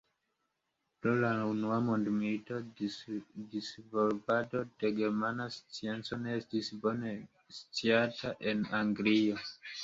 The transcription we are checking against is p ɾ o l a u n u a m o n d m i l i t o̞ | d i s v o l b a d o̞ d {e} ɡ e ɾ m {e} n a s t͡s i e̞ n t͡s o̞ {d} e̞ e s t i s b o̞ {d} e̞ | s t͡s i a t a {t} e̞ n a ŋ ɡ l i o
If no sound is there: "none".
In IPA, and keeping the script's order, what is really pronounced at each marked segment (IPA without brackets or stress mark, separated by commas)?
e, a, n, n, ʔ